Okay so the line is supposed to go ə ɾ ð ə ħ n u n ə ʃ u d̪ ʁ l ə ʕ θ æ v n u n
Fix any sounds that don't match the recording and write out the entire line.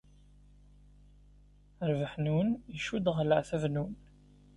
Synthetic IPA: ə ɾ v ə ħ n u n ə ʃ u d̪ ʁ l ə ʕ θ æ v n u n